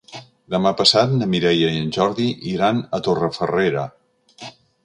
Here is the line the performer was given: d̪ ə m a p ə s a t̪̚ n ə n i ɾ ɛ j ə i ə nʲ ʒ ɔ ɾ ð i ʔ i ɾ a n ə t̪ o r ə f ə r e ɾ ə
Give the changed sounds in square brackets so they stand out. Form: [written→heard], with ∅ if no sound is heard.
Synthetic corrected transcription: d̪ ə m a p ə s a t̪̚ n ə [n→m] i ɾ ɛ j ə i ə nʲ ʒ ɔ ɾ ð i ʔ i ɾ a n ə t̪ o r ə f ə r e ɾ ə